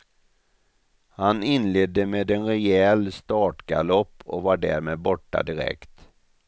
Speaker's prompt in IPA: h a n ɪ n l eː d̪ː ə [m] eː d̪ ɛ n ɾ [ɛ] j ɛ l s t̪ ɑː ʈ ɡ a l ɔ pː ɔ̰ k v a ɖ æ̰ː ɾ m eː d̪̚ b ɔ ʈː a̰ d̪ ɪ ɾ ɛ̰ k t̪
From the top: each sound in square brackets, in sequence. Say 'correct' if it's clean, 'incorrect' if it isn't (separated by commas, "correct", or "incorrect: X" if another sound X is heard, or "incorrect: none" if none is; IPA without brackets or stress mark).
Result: correct, correct